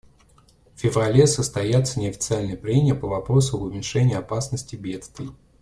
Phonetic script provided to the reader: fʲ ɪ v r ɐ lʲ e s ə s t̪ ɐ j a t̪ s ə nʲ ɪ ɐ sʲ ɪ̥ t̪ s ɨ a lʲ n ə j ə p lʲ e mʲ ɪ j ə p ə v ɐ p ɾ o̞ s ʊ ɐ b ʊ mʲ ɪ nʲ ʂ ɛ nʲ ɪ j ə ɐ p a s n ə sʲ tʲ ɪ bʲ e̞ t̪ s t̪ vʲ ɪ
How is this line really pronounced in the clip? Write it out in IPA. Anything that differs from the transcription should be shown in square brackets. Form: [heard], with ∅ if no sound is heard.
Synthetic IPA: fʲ ɪ v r ɐ lʲ e s ə s t̪ ɐ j a t̪ s ə nʲ ɪ ɐ [fʲ] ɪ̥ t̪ s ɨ a lʲ n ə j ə p [ɾʲ] e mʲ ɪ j ə p ə v ɐ p ɾ o̞ s ʊ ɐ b ʊ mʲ ɪ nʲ ʂ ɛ nʲ ɪ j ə ɐ p a s n ə sʲ tʲ ɪ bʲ e̞ t̪ s t̪ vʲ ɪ

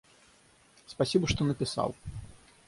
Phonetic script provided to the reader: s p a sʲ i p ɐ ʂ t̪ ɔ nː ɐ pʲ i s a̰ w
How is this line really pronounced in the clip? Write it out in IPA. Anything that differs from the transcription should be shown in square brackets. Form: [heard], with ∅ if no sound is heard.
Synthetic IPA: s p a sʲ i [b] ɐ ʂ t̪ ɔ [n] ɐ pʲ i s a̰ w

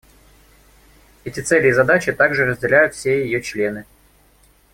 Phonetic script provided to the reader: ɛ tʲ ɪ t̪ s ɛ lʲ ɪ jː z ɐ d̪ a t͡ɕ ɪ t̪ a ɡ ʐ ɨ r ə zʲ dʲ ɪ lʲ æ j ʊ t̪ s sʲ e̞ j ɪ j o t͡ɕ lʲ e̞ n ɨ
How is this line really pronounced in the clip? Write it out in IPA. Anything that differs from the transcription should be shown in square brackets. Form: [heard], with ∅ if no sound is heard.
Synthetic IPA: ɛ tʲ ɪ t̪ s ɛ lʲ ɪ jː z ɐ d̪ a t͡ɕ ɪ t̪ a ɡ ʐ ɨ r ə zʲ dʲ ɪ lʲ æ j ʊ t̪ [f] sʲ e̞ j ɪ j o t͡ɕ lʲ e̞ n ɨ

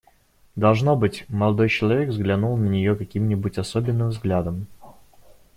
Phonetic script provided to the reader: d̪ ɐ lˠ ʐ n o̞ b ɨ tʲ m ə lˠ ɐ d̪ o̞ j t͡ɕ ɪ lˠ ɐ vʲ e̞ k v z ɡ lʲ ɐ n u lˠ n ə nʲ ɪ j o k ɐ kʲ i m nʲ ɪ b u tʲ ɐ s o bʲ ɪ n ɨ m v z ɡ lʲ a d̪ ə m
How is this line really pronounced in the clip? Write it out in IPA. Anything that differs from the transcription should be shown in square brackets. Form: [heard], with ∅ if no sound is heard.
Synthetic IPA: d̪ ɐ lˠ ʐ n o̞ b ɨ tʲ m ə lˠ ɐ d̪ o̞ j t͡ɕ ɪ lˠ ɐ vʲ e̞ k v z ɡ lʲ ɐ n u lˠ n ə nʲ ɪ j o k ɐ kʲ i m nʲ ɪ b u tʲ ɐ s o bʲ ɪ [nː] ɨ m v z ɡ lʲ a d̪ ə m

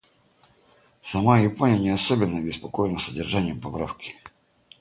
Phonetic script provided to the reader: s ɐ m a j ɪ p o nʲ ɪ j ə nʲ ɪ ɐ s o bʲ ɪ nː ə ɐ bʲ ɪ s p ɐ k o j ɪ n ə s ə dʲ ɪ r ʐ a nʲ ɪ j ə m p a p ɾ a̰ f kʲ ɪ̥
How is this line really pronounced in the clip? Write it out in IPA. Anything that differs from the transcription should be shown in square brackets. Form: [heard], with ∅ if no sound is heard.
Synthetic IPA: s ɐ m a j ɪ p o nʲ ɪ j ə nʲ ɪ ɐ s o bʲ ɪ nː ə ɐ bʲ ɪ s p ɐ k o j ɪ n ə s ə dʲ ɪ r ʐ a nʲ ɪ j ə m p [ɐ] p ɾ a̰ f kʲ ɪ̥

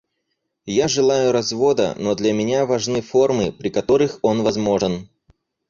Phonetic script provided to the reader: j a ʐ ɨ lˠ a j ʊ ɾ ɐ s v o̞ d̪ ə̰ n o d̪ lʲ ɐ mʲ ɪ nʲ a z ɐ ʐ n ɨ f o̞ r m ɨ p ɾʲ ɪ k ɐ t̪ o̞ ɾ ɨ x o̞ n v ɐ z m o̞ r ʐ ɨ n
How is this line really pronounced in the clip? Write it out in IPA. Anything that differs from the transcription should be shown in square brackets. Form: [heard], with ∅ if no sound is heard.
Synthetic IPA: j a ʐ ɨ lˠ a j ʊ ɾ ɐ [z] v o̞ d̪ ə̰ n o d̪ lʲ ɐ mʲ ɪ nʲ a [v] ɐ ʐ n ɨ f o̞ r m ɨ p ɾʲ ɪ k ɐ t̪ o̞ ɾ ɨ x o̞ n v ɐ z m o̞ [∅] ʐ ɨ n

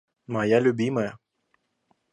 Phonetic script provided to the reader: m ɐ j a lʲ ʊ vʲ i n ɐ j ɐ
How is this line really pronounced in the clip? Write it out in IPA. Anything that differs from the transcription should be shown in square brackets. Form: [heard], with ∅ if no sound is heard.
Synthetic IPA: m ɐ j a lʲ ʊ [bʲ] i [m] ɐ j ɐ

